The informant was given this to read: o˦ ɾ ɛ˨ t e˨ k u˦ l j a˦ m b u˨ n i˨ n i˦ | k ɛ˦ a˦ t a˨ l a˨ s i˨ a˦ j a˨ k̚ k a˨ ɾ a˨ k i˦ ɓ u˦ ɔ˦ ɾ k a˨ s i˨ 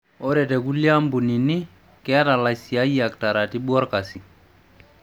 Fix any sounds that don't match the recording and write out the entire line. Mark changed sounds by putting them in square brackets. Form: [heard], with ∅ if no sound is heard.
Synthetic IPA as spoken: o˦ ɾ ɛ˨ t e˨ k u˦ l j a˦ m b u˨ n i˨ n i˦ | k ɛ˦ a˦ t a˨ l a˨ s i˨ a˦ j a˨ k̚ [t] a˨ ɾ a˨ [t] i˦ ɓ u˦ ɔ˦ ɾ k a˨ s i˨